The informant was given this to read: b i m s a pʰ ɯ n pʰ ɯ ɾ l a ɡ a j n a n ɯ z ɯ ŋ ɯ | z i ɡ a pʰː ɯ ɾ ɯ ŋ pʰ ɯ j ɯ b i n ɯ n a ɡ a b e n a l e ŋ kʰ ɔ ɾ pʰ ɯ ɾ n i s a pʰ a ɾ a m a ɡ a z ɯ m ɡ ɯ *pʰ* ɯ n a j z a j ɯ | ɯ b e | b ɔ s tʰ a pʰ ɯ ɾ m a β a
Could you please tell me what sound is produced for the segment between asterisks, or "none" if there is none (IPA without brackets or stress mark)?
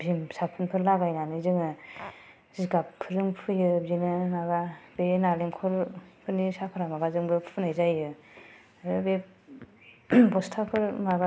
pʰ